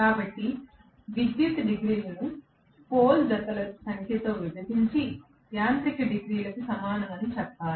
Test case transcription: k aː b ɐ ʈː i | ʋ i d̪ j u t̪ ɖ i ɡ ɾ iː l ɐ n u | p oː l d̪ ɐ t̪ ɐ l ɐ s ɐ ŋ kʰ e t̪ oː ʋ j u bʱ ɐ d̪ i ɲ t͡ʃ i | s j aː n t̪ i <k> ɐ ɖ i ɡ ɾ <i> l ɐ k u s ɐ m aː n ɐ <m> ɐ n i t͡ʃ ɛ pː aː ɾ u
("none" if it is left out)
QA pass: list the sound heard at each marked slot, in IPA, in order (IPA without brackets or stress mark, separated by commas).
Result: k, iː, m